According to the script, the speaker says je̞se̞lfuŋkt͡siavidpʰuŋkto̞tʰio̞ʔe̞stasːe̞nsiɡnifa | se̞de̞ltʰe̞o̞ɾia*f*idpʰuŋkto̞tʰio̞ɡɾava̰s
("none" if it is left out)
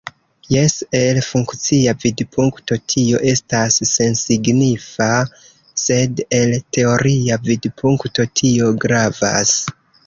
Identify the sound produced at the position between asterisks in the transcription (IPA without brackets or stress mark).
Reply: v